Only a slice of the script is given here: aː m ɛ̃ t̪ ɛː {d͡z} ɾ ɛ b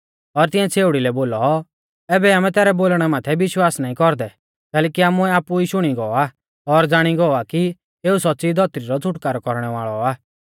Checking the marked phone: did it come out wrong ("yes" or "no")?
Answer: yes